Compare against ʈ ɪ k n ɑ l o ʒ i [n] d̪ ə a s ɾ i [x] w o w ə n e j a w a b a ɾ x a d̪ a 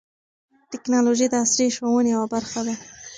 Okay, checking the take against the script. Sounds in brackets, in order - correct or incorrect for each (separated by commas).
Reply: incorrect, incorrect